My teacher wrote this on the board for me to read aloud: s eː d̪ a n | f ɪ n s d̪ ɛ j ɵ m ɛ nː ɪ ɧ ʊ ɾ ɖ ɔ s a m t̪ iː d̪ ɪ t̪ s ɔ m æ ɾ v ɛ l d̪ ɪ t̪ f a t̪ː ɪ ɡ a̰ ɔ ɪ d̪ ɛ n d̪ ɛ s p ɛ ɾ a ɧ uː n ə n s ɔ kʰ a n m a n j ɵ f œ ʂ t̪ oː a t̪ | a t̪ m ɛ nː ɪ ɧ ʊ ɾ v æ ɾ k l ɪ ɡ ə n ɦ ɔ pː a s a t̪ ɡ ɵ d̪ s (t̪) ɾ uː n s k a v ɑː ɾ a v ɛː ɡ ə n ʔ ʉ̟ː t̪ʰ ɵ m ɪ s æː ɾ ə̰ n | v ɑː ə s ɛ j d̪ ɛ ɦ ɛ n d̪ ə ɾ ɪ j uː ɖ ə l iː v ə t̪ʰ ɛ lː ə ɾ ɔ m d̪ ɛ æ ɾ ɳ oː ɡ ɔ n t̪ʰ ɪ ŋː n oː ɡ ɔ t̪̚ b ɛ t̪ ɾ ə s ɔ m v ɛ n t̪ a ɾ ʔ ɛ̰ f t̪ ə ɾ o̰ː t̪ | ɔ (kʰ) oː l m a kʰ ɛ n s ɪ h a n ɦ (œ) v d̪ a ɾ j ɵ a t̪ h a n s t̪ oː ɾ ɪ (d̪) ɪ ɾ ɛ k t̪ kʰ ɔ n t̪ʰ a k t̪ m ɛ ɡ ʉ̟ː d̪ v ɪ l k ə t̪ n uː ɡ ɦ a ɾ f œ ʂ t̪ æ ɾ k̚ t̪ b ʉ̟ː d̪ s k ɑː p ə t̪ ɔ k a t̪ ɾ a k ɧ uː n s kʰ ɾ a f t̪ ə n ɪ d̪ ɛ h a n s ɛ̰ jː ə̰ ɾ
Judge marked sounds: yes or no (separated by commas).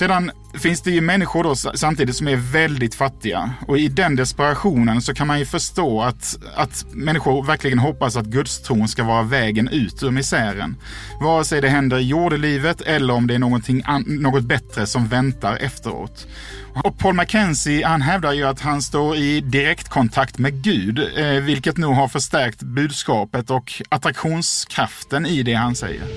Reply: no, no, no, yes